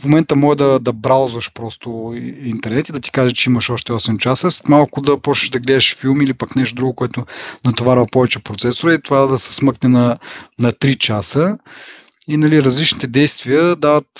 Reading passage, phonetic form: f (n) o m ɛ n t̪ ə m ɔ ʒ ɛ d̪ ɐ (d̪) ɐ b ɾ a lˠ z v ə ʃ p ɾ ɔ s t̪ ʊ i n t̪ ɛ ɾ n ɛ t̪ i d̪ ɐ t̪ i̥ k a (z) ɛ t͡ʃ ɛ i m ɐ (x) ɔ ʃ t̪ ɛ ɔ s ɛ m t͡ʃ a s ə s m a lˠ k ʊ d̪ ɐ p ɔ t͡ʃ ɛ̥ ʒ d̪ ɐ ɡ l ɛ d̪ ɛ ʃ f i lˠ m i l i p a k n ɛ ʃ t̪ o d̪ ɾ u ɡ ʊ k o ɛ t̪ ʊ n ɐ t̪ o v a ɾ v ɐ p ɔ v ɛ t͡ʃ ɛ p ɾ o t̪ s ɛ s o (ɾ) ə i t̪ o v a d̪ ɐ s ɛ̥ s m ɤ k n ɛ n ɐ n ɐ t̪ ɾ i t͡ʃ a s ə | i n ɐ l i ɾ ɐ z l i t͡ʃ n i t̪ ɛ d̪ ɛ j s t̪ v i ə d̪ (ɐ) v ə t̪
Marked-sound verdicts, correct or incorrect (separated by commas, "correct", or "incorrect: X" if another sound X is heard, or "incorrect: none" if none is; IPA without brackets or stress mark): incorrect: m, correct, incorrect: ʒ, incorrect: ʃ, correct, incorrect: a